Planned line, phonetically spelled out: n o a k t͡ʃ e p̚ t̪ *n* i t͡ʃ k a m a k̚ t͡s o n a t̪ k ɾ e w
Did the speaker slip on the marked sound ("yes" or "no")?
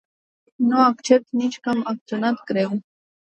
no